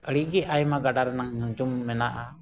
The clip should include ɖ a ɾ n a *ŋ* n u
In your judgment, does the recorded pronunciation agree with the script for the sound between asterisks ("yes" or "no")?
yes